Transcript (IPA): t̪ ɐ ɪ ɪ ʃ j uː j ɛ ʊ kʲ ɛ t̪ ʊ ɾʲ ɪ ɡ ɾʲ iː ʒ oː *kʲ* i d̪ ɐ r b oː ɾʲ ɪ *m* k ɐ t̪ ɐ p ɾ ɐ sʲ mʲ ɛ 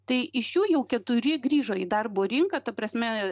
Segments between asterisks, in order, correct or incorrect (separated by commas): incorrect, incorrect